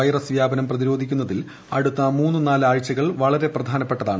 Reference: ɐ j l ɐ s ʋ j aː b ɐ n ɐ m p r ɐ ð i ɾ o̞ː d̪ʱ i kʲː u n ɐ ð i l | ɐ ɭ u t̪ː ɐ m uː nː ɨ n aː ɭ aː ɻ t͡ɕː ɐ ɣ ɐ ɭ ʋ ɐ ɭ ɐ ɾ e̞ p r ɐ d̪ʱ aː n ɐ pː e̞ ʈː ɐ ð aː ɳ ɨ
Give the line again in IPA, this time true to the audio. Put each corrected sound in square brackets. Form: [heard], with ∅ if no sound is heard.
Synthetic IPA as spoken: ɐ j [r] ɐ s ʋ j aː b ɐ n ɐ m p r ɐ ð i ɾ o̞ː d̪ʱ i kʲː u [nː] ɐ ð i l | ɐ [ɽ] u t̪ː ɐ m uː nː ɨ n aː [l] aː ɻ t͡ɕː ɐ ɣ ɐ ɭ ʋ ɐ ɭ ɐ ɾ e̞ p r ɐ d̪ʱ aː n ɐ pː e̞ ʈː ɐ ð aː ɳ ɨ